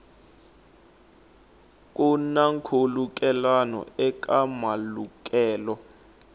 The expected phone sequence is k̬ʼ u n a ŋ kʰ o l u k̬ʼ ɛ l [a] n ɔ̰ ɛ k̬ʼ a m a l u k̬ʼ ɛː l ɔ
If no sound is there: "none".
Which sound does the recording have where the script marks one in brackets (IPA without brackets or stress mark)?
a